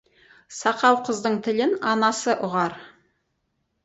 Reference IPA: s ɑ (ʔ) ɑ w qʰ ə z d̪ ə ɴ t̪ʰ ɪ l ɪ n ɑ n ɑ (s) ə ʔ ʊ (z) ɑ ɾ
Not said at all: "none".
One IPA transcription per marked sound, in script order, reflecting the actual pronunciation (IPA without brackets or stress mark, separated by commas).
q, s, ʁ